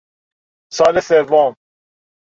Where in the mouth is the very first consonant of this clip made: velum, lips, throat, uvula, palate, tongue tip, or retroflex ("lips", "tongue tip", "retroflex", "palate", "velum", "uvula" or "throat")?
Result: tongue tip